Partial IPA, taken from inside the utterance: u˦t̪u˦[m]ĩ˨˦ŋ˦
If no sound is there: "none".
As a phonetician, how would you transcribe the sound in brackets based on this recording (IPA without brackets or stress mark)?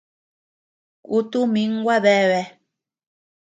m